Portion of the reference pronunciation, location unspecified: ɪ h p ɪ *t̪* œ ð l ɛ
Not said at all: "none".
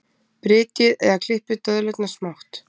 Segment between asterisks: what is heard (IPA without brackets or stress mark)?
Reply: t̪